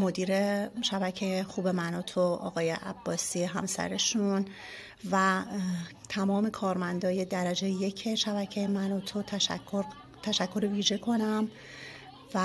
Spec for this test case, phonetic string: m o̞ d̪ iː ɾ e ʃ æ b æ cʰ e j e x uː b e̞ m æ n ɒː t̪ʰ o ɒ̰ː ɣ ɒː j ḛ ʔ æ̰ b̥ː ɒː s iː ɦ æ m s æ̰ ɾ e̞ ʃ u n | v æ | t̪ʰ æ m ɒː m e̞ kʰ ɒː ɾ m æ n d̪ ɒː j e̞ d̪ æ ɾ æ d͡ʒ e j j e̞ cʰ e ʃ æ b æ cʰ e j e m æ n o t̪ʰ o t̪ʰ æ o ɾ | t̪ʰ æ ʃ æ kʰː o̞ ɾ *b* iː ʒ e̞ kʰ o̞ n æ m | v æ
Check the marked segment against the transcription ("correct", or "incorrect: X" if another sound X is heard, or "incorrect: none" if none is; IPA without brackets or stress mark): incorrect: v